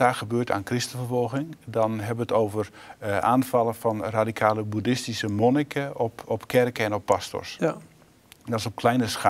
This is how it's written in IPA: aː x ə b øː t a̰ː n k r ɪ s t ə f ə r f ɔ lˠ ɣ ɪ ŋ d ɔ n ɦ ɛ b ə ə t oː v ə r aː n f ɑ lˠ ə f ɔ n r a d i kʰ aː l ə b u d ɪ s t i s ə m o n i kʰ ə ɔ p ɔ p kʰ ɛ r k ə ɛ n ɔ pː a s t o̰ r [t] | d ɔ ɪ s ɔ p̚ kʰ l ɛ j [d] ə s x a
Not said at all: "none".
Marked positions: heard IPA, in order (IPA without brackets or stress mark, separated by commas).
s, n